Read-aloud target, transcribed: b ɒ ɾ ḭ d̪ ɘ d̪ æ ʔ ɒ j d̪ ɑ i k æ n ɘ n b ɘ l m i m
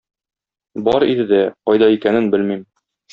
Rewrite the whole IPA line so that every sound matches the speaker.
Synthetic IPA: b ɒ ɾ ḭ d̪ ɘ d̪ æ q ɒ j d̪ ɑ i k æ n ɘ n b ɘ l m i m

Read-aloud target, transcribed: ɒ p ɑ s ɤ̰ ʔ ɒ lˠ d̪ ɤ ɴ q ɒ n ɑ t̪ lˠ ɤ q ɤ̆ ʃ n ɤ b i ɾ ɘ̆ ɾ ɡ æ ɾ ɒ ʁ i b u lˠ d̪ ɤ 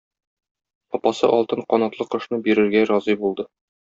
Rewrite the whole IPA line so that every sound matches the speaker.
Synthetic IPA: ɒ p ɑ s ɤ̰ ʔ ɒ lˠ t̪ ɤ ɴ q ɒ n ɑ t̪ lˠ ɤ q ɤ̆ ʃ n ɤ b i ɾ ɘ̆ ɾ ɡ æ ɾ ɒ z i b u lˠ d̪ ɤ

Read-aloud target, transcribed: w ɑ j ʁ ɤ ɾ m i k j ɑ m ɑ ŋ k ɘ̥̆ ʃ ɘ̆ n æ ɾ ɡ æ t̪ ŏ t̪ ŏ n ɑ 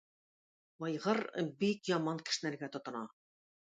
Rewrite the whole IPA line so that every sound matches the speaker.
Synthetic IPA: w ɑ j ʁ ɤ ɾ b i k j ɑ m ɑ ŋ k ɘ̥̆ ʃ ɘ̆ n æ ɾ ɡ æ t̪ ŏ t̪ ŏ n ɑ

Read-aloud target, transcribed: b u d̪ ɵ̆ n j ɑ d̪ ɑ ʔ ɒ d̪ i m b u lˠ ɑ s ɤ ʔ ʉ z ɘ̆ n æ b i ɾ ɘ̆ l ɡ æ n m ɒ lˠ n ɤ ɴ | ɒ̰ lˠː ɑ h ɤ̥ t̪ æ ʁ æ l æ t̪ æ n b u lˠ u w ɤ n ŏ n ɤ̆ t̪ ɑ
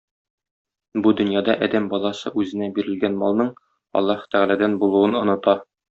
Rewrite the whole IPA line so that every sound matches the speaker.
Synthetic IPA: b u d̪ ɵ̆ n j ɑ d̪ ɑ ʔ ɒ d̪ æ m b ɒ lˠ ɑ s ɤ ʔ ʉ z ɘ̆ n æ b i ɾ ɘ̆ l ɡ æ n m ɒ lˠ n ɤ ɴ | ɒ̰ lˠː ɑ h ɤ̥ t̪ æ ʁ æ l æ d̪ æ n b u lˠ u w ɤ n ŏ n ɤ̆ t̪ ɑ

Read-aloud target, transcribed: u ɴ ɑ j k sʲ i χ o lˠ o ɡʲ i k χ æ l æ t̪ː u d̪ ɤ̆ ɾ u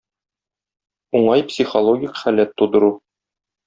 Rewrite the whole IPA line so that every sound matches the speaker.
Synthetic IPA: u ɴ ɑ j p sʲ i χ o lˠ o ɡʲ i k χ æ l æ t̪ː u d̪ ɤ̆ ɾ u

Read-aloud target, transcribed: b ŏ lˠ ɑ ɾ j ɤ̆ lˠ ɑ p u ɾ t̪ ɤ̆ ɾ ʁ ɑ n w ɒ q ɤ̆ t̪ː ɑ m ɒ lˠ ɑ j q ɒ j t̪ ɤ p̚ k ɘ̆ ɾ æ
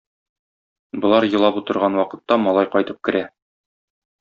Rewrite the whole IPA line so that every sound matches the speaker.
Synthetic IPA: b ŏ lˠ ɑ ɾ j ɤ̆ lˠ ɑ p u t̪ ɤ̆ ɾ ʁ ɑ n w ɒ q ɤ̆ t̪ː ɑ m ɒ lˠ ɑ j q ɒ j t̪ ɤ p̚ k ɘ̆ ɾ æ

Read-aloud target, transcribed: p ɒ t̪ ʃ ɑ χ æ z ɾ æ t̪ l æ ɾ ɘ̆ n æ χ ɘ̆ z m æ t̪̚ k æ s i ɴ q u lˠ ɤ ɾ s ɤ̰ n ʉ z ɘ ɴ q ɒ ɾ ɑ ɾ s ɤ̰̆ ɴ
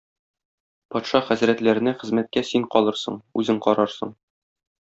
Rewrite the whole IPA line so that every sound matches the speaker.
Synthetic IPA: p ɒ t̪ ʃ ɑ χ æ z ɾ æ t̪ l æ ɾ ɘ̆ n æ χ ɘ̆ z m æ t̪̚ k æ s i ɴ q ɒ lˠ ɤ ɾ s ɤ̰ ɴ ʉ z ɘ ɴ q ɒ ɾ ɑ ɾ s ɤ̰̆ ɴ

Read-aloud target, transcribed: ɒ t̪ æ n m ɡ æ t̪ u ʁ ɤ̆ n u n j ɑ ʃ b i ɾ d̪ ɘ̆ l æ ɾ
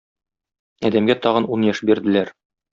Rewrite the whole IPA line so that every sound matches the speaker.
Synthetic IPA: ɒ d̪ æ m ɡ æ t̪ ɒ ʁ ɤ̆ n u n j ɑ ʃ b i ɾ d̪ ɘ̆ l æ ɾ

